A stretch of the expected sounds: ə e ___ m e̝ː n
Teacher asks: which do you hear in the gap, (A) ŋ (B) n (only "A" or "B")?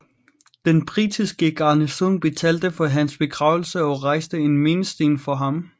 B